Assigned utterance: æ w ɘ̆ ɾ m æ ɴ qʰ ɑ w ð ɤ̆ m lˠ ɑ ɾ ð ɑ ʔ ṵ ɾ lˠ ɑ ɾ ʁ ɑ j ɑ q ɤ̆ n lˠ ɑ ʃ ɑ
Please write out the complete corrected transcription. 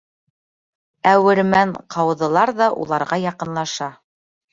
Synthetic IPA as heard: æ w ɘ̆ ɾ m æ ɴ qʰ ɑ w ð ɤ̆ lˠ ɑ ɾ ð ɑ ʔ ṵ lˠ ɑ ɾ ʁ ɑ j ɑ q ɤ̆ n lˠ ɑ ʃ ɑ